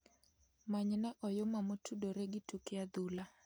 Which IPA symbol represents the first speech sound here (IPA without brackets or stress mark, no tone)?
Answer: m